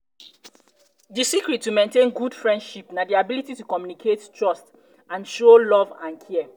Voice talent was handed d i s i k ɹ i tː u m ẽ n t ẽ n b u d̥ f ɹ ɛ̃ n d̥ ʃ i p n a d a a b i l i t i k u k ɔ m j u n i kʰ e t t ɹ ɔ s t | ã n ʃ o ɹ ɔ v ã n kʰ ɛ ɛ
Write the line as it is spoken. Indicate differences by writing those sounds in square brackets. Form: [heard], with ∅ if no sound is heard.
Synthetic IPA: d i s i k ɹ i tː u m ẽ n t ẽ n [ɡ] u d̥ f ɹ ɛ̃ n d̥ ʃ i p n a d [i] a b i l i t i [t] u k ɔ m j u n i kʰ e t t ɹ ɔ s t | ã n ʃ o [l] ɔ v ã n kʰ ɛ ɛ